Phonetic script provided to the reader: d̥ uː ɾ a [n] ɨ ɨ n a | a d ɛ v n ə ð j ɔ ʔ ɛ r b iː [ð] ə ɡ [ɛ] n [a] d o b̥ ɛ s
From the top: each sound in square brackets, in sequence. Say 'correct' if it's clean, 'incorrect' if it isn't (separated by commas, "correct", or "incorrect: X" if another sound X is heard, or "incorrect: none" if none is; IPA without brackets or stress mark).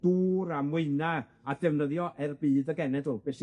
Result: incorrect: m, correct, correct, incorrect: ɛ